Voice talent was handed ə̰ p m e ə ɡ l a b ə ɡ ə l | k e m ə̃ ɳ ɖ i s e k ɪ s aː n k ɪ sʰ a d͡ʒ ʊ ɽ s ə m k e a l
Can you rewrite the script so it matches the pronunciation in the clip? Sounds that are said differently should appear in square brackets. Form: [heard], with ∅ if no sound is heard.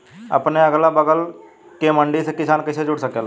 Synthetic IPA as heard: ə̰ p [n] e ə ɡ l a b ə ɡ ə l | k e m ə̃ ɳ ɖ i s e k ɪ s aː n k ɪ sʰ [e] d͡ʒ ʊ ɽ s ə [∅] k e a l